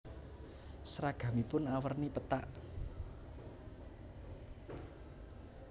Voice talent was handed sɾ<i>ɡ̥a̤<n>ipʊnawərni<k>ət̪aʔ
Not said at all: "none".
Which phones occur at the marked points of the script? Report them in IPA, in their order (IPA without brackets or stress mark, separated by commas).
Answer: a, m, p